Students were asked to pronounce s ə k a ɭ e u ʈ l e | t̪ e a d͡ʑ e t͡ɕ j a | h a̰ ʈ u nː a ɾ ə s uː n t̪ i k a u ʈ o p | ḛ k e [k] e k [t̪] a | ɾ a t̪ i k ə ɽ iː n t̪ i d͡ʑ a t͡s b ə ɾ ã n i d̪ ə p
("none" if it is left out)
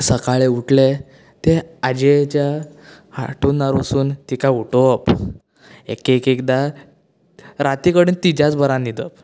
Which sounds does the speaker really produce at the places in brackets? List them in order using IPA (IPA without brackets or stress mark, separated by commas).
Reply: k, d̪